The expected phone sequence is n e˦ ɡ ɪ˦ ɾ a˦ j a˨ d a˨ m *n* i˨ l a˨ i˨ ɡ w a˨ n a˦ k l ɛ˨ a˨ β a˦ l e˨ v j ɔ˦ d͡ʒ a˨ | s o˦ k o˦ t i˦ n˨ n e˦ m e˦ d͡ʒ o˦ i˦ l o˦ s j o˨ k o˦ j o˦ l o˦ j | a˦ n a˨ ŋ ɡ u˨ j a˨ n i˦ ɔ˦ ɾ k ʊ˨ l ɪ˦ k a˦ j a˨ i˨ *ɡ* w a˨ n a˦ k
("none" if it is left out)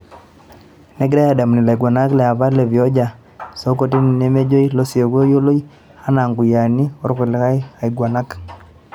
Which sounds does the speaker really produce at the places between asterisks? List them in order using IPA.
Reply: n, ɡ

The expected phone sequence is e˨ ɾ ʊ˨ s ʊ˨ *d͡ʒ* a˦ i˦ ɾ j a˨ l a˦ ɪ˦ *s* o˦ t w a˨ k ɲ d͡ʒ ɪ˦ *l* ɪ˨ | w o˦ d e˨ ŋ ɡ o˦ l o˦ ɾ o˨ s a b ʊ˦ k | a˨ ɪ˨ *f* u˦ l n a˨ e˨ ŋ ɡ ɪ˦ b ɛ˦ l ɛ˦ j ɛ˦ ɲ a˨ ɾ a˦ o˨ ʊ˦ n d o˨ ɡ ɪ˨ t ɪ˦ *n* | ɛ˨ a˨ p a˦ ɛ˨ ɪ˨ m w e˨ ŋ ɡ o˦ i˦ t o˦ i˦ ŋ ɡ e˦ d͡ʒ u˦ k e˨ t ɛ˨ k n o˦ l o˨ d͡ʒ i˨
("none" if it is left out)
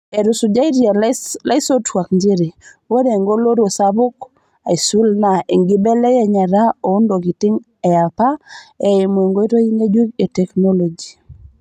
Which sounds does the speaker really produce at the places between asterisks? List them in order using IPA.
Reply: d͡ʒ, s, ɾ, s, ŋ

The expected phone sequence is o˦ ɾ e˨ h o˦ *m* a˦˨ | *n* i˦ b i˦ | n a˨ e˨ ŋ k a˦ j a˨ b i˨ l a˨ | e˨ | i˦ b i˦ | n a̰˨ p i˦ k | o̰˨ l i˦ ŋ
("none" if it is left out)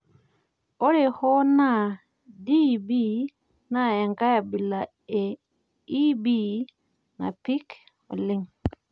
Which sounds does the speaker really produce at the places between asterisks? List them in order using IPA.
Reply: n, d

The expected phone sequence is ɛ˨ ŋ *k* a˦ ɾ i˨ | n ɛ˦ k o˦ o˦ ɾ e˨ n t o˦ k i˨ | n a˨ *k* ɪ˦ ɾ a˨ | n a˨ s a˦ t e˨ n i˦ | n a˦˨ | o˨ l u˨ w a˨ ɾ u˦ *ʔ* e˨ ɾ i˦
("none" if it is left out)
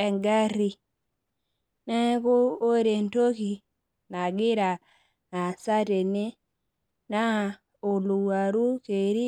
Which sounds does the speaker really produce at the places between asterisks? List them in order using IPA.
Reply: ɡ, ɡ, k

